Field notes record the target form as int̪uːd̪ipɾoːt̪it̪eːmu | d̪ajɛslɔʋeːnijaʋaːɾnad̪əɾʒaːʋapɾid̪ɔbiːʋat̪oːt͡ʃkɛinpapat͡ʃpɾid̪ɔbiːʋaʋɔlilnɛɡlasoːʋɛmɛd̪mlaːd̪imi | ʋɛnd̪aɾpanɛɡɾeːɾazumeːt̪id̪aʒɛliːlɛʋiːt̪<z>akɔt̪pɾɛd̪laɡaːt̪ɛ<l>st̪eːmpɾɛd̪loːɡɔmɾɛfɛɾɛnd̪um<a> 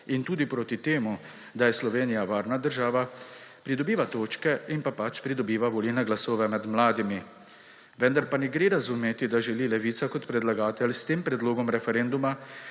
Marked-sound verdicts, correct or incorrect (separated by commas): incorrect, correct, correct